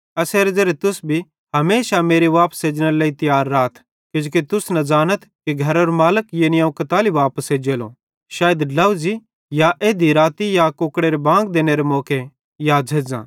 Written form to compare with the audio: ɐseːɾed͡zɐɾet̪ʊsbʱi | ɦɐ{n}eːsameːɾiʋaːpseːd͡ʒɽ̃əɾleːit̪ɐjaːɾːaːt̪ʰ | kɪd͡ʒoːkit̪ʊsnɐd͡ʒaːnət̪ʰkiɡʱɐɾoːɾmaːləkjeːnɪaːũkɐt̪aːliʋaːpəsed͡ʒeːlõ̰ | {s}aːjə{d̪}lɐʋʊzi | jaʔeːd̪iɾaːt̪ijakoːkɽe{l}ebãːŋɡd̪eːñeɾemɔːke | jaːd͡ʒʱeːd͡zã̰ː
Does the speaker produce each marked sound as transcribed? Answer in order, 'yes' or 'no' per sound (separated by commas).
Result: no, no, yes, no